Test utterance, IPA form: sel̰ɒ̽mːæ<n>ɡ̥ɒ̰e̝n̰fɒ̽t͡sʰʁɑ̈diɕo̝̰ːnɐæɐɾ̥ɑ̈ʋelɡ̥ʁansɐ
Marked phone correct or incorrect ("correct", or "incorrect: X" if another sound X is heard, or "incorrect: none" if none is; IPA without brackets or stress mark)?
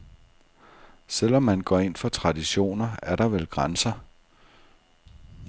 correct